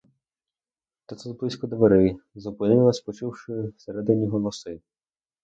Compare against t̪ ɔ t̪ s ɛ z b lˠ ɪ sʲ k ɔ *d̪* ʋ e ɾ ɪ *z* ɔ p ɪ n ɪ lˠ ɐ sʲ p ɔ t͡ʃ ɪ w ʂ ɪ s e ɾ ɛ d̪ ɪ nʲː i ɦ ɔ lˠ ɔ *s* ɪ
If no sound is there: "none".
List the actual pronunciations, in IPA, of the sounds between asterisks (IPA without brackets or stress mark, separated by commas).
d̪, z, s